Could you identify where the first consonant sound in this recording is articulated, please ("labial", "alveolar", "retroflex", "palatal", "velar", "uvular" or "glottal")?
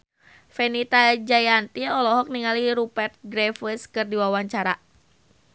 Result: labial